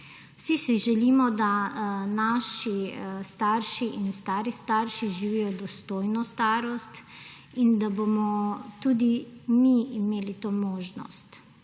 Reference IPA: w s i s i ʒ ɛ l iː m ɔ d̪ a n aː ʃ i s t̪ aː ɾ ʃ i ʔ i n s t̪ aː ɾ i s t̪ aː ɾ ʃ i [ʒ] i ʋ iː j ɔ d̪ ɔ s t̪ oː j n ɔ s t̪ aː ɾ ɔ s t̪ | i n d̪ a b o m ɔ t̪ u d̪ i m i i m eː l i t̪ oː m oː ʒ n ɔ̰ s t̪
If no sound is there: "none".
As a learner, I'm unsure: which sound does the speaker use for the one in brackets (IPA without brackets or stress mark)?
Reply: ʒ